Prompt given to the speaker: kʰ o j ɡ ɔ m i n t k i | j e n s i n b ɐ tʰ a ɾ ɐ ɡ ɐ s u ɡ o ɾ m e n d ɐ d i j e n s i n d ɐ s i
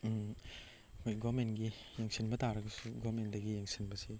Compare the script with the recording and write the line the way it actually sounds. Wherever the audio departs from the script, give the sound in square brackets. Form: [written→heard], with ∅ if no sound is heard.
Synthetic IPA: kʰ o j ɡ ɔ m [i→e] n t [k→ɡ] i | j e [n→ŋ] s i n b ɐ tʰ a ɾ ɐ ɡ ɐ s u ɡ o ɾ m e n d ɐ [d→ɡ] i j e [n→ŋ] s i n [d→b] ɐ s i